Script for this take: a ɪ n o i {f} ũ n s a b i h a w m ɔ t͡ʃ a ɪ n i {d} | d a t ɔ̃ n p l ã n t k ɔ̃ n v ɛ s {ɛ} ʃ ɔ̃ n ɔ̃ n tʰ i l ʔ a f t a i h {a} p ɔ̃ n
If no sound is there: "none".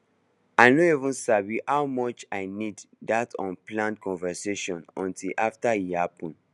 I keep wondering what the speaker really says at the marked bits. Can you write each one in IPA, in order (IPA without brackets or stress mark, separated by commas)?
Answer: v, d, e, a